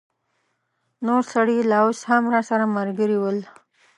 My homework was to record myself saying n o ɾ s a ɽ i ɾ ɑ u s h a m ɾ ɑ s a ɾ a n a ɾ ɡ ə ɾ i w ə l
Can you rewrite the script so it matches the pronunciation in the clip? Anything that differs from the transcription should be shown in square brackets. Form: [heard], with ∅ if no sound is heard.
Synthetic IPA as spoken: n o ɾ s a ɽ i [l] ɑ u s h a m ɾ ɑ s a ɾ a [m] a ɾ ɡ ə ɾ i w ə l